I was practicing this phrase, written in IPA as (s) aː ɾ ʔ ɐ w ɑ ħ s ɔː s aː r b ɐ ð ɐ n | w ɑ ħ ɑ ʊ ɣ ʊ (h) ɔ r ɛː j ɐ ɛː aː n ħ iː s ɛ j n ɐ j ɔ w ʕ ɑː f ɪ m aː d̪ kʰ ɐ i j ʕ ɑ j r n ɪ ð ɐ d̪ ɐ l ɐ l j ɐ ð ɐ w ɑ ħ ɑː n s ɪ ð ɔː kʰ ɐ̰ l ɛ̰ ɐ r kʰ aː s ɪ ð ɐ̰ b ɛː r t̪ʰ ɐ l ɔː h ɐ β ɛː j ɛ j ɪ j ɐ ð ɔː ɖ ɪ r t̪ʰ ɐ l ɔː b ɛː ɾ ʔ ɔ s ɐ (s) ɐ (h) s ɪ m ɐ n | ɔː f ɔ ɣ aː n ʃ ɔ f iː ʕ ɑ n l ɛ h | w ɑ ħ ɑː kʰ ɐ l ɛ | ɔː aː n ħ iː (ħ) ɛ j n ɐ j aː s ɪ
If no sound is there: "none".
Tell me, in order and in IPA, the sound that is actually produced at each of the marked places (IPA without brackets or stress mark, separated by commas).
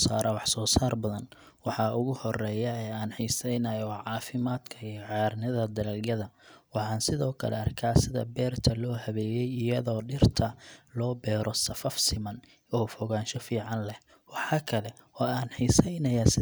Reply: s, h, f, f, s